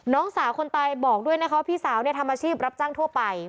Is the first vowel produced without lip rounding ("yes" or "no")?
no